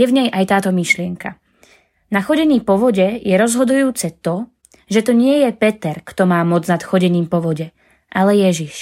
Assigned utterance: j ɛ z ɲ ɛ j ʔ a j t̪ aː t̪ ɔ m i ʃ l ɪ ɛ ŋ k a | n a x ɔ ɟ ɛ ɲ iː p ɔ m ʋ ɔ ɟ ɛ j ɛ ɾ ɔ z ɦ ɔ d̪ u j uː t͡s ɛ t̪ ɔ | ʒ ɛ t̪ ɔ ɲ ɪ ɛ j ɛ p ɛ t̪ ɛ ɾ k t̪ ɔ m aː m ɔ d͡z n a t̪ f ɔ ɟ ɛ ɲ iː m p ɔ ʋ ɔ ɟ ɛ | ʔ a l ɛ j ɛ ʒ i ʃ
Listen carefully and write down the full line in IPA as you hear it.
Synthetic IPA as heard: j ɛ v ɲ ɛ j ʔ a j t̪ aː t̪ ɔ m i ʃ l ɪ ɛ ŋ k a | n a x ɔ ɟ ɛ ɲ iː p ɔ ʋ ɔ ɟ ɛ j ɛ ɾ ɔ z ɦ ɔ d̪ u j uː t͡s ɛ t̪ ɔ | ʒ ɛ t̪ ɔ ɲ ɪ ɛ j ɛ p ɛ t̪ ɛ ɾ k t̪ ɔ m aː m ɔ d͡z n a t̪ x ɔ ɟ ɛ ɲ iː m p ɔ ʋ ɔ ɟ ɛ | ʔ a l ɛ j ɛ ʒ i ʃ